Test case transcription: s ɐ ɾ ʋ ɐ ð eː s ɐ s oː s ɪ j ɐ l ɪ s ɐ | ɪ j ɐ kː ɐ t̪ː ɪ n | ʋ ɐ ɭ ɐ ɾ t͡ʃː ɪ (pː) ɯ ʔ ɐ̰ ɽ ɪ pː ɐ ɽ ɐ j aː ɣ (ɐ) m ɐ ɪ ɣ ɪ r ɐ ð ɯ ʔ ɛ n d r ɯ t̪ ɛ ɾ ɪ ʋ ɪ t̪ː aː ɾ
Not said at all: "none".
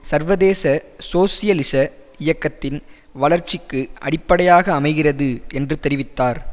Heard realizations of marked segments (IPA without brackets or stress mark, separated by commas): kː, ɐː